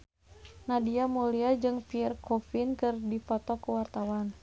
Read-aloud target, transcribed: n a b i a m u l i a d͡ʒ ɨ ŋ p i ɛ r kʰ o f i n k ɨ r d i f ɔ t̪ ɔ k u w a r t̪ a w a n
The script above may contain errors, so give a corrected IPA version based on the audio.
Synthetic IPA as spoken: n a d i a m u l i a d͡ʒ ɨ ŋ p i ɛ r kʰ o f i n k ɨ r d i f ɔ t̪ ɔ k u w a r t̪ a w a n